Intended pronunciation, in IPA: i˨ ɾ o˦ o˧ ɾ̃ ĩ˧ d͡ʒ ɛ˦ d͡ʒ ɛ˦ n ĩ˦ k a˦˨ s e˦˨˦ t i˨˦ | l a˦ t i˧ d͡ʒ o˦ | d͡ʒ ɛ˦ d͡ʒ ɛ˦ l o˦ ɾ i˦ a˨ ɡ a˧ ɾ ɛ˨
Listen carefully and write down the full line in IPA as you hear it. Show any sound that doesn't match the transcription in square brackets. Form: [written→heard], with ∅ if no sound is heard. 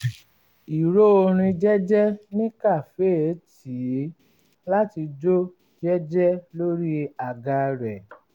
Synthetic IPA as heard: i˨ ɾ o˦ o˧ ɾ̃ ĩ˧ d͡ʒ ɛ˦ d͡ʒ ɛ˦ n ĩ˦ k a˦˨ [s→f] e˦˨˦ t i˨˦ | l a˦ t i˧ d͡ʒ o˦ | d͡ʒ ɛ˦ d͡ʒ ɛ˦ l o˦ ɾ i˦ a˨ ɡ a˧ ɾ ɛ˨